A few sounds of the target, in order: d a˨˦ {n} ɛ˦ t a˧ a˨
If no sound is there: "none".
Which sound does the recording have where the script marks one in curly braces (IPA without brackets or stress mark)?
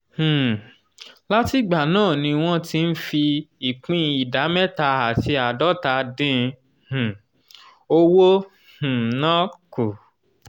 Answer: m